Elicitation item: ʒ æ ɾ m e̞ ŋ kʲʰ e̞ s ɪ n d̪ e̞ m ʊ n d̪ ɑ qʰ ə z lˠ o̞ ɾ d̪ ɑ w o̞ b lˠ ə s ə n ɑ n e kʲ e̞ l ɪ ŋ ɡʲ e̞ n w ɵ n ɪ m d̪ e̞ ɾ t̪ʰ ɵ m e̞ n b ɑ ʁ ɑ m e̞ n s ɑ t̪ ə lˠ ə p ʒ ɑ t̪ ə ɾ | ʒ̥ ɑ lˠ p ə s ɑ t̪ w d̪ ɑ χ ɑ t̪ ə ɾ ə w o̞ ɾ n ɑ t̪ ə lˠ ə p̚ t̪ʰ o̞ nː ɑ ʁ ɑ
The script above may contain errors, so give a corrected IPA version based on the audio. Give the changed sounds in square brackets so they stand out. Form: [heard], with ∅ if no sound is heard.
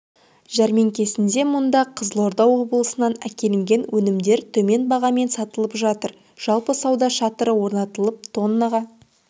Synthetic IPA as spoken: ʒ æ ɾ m e̞ ŋ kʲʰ e̞ s ɪ n d̪ e̞ m ʊ n d̪ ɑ qʰ ə z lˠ o̞ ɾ d̪ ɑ w o̞ b lˠ ə s ə n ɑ n [æ] kʲ e̞ l ɪ ŋ ɡʲ e̞ n w ɵ n ɪ m d̪ e̞ ɾ t̪ʰ ɵ m e̞ n b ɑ ʁ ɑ m e̞ n s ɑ t̪ ə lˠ ə p ʒ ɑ t̪ ə ɾ | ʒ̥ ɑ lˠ p ə s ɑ [∅] w d̪ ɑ [ʃ] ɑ t̪ ə ɾ ə w o̞ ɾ n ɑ t̪ ə lˠ ə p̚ t̪ʰ o̞ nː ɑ ʁ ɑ